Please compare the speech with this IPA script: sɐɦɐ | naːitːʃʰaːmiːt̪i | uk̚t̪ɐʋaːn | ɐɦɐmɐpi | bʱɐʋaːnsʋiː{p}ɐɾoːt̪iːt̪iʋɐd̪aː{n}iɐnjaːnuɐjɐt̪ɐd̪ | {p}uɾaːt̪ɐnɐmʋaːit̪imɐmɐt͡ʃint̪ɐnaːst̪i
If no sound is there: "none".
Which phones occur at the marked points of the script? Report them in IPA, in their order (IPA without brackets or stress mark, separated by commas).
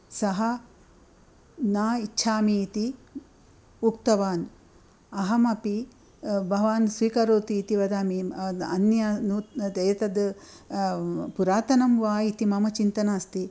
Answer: k, m, p